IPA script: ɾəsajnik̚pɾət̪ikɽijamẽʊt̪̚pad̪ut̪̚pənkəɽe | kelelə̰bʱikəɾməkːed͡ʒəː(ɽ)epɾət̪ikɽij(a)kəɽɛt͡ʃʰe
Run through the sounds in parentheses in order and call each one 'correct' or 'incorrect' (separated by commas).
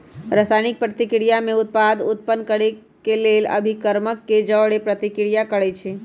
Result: correct, correct